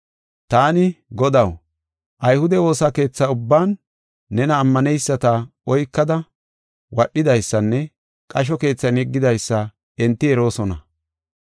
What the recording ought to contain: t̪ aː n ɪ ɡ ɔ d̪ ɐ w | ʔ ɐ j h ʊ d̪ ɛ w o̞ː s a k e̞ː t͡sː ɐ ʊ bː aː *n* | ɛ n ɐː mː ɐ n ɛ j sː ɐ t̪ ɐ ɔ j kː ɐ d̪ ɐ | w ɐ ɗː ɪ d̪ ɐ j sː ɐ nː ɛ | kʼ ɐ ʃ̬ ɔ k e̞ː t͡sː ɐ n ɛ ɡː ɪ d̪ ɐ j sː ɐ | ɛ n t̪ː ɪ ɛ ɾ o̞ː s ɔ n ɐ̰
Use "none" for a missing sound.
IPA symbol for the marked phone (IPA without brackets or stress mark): nː